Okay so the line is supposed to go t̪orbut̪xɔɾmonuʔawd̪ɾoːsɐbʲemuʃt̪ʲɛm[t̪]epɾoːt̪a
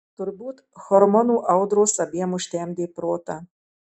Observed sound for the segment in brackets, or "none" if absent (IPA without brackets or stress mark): d̪